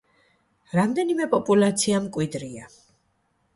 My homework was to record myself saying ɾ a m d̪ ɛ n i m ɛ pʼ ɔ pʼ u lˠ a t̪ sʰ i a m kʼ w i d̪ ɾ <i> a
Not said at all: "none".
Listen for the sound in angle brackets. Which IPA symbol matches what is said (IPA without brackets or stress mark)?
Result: i